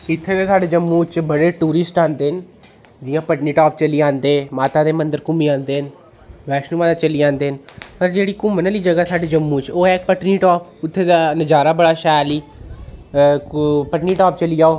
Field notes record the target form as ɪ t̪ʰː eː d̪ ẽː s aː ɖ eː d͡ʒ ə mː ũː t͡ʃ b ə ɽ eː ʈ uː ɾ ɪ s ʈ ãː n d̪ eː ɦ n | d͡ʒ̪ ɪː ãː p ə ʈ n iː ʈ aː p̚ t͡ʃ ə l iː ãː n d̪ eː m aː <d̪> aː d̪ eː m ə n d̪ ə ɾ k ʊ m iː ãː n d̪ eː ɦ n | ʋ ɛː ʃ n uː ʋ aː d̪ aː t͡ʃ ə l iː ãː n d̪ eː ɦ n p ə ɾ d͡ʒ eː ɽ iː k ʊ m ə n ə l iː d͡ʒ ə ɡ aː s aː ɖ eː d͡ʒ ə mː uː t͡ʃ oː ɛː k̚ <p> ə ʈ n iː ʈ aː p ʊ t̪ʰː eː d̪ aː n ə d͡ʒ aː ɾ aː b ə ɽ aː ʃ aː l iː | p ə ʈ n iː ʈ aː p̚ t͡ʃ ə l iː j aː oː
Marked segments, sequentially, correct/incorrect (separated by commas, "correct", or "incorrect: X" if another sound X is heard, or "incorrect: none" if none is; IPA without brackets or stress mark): incorrect: t̪, correct